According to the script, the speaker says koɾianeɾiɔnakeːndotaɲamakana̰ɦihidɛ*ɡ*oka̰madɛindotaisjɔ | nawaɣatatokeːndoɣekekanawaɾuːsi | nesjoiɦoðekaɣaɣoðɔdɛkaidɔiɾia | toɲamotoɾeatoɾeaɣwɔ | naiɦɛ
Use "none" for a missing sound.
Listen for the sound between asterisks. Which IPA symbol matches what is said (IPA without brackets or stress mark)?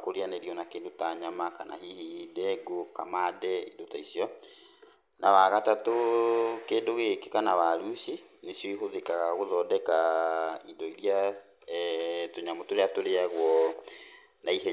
ɡ